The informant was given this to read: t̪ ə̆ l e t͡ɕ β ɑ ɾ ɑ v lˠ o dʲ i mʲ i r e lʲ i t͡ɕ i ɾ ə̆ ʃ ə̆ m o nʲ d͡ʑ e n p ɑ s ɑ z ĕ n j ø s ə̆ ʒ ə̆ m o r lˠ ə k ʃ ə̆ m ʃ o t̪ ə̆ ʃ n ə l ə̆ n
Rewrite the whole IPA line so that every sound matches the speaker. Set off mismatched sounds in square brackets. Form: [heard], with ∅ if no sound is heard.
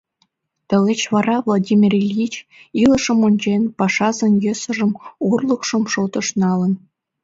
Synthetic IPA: t̪ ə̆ l e t͡ɕ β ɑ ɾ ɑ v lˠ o dʲ i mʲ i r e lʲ i t͡ɕ i [l] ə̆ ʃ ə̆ m o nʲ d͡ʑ e n p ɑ [ʃ] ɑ z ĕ n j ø s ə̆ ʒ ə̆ m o r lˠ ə k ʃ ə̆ m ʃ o t̪ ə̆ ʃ n [ɑ] l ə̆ n